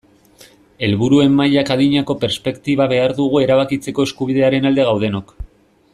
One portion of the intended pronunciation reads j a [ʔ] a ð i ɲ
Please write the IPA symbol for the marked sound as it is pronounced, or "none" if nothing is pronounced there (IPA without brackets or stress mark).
k